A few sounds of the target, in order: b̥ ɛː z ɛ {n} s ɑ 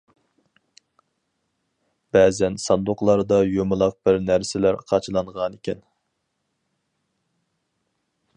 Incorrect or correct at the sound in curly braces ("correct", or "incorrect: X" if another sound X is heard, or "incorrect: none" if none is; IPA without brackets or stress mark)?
correct